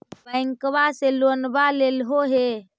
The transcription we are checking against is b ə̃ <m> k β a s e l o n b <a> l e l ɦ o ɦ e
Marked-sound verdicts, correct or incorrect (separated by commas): incorrect, correct